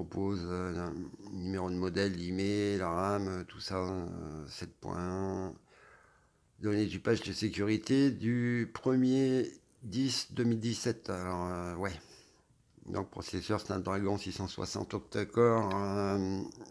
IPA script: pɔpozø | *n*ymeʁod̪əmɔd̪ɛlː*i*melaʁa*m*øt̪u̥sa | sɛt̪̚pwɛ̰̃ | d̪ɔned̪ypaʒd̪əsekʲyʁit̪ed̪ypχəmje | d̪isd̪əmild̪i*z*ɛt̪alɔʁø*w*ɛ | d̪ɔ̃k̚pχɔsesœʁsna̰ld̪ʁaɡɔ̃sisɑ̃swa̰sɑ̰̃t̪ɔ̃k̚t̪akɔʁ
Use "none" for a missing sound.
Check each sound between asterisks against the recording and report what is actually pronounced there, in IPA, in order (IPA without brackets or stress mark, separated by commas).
n, i, m, s, w